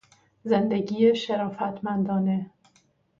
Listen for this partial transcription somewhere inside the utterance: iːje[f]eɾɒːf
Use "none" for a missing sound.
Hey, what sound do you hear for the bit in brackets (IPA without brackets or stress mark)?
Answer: ʃ